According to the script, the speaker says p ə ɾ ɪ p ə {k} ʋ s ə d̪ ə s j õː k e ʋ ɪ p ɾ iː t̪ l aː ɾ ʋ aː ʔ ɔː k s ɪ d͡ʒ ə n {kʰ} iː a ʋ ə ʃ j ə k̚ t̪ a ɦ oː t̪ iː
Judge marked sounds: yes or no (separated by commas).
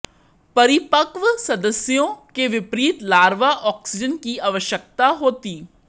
yes, no